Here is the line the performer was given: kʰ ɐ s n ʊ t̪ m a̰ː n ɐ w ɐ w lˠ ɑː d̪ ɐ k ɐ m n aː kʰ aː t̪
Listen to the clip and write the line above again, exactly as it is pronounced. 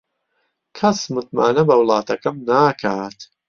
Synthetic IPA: kʰ ɐ s m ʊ t̪ m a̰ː n ɐ b ɐ w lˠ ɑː t̪ ɐ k ɐ m n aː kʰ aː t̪